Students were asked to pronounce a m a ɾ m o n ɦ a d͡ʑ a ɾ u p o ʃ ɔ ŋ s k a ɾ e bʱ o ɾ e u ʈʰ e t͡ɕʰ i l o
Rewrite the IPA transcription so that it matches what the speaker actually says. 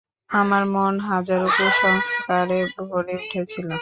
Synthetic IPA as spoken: a m a ɾ m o n ɦ a d͡ʑ a ɾ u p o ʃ ɔ ŋ s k a ɾ e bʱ o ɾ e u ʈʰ e t͡ɕʰ i l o

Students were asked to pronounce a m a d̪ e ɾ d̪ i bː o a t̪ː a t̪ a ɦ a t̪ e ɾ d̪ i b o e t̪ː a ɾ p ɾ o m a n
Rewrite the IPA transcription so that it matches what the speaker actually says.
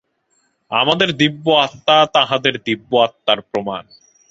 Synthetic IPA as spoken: a m a d̪ e ɾ d̪ i bː o a t̪ː a t̪ a ɦ a d̪ e ɾ d̪ i bː o a t̪ː a ɾ p ɾ o m a n

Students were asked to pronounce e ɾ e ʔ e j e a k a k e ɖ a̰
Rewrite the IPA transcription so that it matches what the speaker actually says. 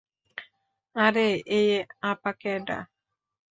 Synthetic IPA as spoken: a ɾ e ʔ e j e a p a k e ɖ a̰

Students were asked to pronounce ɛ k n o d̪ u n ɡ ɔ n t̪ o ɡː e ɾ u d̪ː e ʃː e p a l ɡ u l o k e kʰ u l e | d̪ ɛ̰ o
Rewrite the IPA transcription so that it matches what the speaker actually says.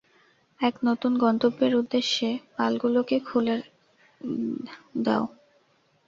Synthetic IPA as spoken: ɛ k n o t̪ u n ɡ ɔ n t̪ o bː e ɾ u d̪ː e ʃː e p a l ɡ u l o k e kʰ u l e | d̪ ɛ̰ o

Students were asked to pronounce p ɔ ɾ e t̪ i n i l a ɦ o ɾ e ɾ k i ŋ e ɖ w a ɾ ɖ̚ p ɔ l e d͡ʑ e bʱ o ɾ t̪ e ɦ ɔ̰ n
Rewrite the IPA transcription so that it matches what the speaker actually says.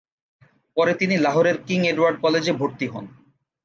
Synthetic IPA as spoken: p ɔ ɾ e t̪ i n i l a ɦ o ɾ e ɾ k i ŋ e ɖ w a ɾ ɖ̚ k ɔ l e d͡ʑ e bʱ o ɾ t̪ i ɦ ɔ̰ n

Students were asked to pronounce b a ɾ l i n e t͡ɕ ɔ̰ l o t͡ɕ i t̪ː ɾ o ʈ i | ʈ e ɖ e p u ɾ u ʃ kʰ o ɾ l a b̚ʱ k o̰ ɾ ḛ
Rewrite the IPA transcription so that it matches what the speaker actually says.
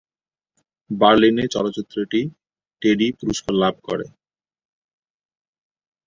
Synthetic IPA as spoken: b a ɾ l i n e t͡ɕ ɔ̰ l o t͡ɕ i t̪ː ɾ o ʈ i | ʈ e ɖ i p u ɾ u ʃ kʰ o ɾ l a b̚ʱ k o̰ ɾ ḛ

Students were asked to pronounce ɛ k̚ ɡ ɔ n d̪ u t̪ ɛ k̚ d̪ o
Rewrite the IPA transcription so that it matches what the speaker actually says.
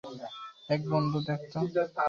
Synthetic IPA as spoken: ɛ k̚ b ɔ n d̪ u d̪ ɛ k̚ t̪ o

